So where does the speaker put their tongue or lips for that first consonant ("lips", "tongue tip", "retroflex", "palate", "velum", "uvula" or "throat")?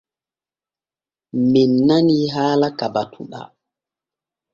lips